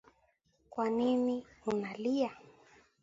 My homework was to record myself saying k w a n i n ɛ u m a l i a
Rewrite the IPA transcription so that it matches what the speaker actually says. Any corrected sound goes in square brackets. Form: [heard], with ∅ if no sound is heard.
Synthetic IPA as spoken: k w a n i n [i] u [n] a l i a